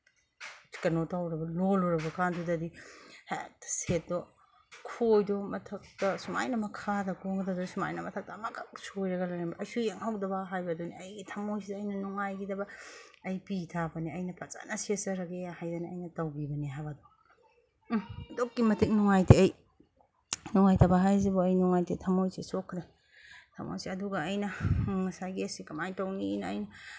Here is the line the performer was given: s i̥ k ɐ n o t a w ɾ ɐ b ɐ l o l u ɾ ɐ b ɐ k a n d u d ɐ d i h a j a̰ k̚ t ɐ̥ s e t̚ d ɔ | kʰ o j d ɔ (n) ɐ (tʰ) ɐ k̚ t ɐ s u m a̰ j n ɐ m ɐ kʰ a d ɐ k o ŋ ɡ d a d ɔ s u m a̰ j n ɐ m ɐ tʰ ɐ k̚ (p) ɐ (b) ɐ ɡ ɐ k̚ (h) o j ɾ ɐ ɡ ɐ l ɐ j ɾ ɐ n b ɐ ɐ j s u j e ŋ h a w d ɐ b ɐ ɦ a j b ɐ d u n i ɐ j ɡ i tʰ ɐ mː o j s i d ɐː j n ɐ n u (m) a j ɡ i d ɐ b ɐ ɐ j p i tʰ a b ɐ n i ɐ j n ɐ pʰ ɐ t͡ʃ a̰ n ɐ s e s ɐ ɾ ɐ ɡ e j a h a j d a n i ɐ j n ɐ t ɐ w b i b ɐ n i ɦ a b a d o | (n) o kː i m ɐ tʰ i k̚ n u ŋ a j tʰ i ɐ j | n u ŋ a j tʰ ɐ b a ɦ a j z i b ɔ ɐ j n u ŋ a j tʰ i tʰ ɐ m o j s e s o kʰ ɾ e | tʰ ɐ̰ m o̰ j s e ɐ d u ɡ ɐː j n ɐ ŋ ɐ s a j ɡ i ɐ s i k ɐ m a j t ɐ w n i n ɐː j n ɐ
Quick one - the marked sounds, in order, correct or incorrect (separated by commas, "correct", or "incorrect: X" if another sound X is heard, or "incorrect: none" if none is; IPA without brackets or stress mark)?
incorrect: m, correct, incorrect: t, incorrect: m, incorrect: s, incorrect: ŋ, incorrect: d